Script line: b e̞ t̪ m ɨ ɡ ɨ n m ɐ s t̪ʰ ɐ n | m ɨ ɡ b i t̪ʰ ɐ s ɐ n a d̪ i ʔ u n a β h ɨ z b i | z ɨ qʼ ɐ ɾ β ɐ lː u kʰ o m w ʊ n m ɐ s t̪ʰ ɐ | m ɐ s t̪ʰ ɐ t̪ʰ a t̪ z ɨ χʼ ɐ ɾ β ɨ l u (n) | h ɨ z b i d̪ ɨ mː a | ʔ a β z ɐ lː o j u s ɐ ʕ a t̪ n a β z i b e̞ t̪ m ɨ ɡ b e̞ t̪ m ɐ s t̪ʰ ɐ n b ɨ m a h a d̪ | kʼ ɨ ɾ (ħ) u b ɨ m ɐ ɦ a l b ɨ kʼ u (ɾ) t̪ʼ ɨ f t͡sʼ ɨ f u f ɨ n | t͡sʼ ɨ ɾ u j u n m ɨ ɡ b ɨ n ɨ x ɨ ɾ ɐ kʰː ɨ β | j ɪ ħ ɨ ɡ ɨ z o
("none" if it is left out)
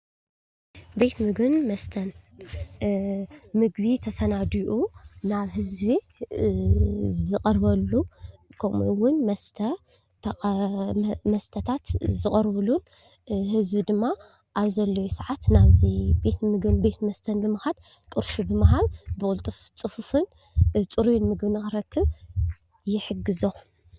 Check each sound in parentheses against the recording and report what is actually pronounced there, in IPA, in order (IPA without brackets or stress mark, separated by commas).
n, ʃ, l